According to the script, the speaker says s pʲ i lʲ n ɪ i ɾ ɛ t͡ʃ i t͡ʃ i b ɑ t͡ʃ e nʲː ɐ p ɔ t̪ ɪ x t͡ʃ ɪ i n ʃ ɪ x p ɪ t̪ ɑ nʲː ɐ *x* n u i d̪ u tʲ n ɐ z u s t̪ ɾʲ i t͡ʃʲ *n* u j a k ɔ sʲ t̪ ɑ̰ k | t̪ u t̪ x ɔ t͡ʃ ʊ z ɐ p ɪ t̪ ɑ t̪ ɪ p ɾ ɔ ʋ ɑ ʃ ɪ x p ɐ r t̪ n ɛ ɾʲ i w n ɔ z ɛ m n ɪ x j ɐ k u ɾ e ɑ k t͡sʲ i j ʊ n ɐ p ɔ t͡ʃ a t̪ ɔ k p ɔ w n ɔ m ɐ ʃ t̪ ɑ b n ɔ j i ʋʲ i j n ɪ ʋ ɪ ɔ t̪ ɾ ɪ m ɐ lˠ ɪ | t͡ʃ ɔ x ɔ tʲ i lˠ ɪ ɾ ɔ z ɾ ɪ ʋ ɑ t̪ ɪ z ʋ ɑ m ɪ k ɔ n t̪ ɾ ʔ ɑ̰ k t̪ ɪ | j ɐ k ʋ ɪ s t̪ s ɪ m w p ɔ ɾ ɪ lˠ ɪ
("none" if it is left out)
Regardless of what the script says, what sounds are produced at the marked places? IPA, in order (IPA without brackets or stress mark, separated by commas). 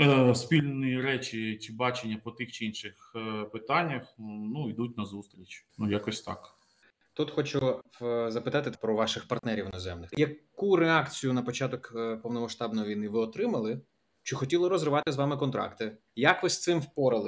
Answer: x, n